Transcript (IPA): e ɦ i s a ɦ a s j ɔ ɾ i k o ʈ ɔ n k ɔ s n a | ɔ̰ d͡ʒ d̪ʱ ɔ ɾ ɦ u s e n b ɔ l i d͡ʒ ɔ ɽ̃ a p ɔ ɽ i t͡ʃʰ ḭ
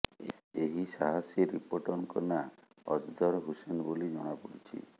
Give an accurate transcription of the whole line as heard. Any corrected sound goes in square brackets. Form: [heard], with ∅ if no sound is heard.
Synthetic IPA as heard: e ɦ i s a ɦ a s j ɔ ɾ i [p] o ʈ ɔ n k ɔ [∅] n a | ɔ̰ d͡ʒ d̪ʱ ɔ ɾ ɦ u s e n b [o] l i d͡ʒ ɔ ɽ̃ a p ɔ ɽ i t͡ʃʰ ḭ